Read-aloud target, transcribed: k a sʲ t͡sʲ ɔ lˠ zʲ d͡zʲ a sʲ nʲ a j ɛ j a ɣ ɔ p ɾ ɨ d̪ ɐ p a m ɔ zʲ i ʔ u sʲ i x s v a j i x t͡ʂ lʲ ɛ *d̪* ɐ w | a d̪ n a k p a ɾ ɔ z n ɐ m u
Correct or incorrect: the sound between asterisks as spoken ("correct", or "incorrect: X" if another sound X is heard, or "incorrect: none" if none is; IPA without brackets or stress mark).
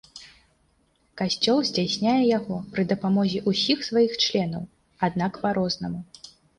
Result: incorrect: n̪